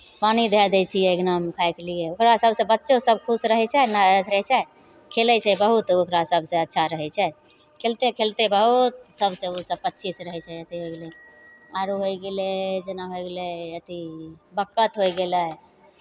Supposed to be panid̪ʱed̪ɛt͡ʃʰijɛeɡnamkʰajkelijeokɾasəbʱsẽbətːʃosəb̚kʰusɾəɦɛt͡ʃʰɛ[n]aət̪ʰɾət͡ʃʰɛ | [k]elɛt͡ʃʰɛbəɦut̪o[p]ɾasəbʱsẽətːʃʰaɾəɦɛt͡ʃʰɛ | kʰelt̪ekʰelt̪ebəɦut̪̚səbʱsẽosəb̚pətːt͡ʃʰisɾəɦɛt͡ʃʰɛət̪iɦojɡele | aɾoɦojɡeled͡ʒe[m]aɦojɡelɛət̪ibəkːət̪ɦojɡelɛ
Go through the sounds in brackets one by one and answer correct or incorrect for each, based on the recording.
correct, incorrect: kʰ, incorrect: k, incorrect: n

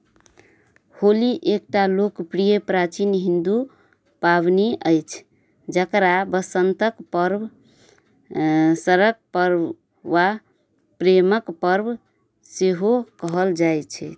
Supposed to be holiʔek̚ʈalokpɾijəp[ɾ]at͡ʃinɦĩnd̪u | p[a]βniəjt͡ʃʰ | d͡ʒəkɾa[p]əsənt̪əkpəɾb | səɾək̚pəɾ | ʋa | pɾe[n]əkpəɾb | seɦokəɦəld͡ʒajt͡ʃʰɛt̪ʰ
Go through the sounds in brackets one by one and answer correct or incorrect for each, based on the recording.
correct, correct, incorrect: b, incorrect: m

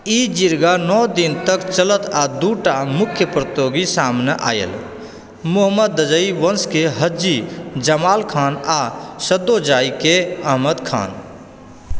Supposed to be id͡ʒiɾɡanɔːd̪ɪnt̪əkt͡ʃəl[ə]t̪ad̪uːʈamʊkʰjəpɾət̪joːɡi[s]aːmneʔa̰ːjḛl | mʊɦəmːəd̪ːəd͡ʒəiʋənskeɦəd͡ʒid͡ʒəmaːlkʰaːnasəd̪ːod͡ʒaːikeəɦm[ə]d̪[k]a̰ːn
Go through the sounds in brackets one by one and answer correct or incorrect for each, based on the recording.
correct, correct, correct, incorrect: kʰ

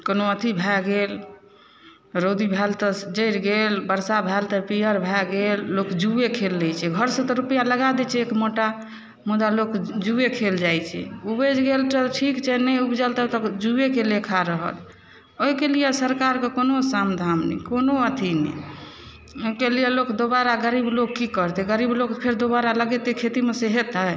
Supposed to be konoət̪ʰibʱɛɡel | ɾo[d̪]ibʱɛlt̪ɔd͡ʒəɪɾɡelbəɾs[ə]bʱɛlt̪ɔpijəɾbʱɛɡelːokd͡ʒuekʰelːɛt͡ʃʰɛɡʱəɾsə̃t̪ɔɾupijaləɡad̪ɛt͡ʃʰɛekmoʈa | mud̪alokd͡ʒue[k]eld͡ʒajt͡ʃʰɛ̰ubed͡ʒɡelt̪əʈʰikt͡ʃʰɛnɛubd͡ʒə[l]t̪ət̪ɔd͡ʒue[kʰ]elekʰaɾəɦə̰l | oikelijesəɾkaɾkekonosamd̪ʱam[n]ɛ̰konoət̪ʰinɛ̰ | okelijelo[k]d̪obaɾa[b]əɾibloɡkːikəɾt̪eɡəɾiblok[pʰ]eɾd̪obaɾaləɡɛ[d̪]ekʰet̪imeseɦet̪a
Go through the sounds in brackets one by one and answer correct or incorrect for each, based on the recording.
correct, incorrect: a, incorrect: kʰ, correct, incorrect: k, correct, correct, incorrect: ɡ, correct, incorrect: t̪

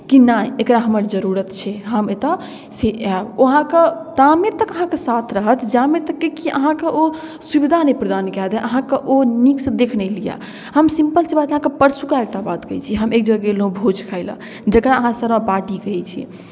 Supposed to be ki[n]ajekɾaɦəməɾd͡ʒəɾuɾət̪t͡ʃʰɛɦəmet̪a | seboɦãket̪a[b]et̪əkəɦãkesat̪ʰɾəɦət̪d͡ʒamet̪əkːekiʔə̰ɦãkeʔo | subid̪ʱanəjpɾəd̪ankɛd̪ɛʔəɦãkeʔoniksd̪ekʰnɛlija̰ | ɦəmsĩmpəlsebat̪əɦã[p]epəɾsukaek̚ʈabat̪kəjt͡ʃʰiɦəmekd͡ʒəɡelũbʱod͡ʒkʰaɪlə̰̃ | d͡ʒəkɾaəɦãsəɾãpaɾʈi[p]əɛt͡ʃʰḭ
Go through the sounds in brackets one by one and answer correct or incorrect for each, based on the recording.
correct, incorrect: m, incorrect: k, incorrect: k

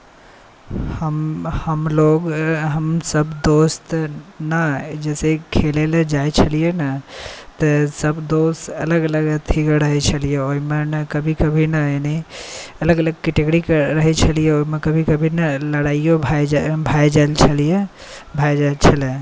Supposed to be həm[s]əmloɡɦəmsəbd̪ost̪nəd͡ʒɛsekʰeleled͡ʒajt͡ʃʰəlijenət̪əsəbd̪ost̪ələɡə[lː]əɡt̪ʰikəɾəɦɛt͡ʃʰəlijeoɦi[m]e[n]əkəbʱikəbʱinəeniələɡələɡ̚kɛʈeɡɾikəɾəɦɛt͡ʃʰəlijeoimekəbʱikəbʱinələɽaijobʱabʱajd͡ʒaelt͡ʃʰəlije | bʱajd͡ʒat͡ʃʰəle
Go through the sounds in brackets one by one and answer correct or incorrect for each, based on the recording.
incorrect: h, incorrect: l, correct, correct

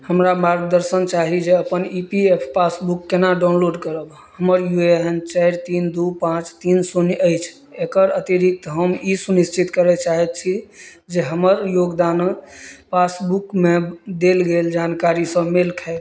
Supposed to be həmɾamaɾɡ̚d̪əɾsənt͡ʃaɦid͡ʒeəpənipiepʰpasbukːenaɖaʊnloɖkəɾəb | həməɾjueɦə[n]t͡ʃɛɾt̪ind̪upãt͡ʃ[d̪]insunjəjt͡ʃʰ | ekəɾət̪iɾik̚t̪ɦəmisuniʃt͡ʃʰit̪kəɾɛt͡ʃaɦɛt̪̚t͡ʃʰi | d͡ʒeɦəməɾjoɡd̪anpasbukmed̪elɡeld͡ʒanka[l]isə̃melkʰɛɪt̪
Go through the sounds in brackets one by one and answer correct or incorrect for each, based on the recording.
correct, incorrect: t̪, incorrect: ɾ

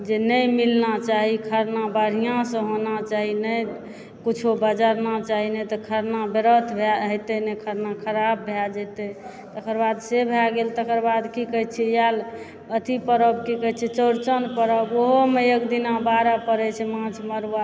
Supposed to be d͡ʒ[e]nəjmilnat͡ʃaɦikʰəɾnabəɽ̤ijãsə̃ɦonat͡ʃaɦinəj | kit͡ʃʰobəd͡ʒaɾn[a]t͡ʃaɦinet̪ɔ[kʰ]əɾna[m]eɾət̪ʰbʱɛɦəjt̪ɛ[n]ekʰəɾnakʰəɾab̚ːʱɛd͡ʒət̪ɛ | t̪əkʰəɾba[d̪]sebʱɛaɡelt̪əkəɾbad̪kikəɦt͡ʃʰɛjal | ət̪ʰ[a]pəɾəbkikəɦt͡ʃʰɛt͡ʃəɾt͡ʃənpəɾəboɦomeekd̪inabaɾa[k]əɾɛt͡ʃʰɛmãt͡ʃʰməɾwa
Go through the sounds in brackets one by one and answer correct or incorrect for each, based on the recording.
correct, correct, correct, incorrect: b, correct, correct, incorrect: i, incorrect: p

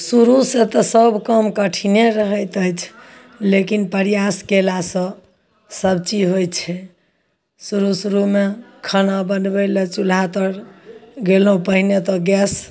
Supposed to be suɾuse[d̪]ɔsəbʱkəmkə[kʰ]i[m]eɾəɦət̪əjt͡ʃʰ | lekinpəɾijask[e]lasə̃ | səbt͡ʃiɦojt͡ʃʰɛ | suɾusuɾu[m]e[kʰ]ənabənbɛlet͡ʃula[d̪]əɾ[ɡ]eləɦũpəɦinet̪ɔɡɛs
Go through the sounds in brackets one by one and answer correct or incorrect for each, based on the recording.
incorrect: t̪, incorrect: ʈʰ, incorrect: n, correct, correct, correct, incorrect: t̪, correct

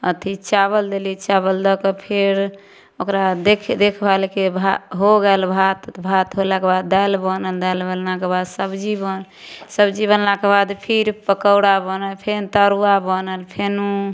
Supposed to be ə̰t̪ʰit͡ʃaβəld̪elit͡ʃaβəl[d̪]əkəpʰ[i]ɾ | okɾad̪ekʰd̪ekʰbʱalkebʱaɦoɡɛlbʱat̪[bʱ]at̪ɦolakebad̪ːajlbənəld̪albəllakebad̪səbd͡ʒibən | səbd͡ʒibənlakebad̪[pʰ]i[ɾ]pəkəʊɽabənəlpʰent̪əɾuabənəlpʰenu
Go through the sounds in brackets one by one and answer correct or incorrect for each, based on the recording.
correct, incorrect: e, correct, correct, correct

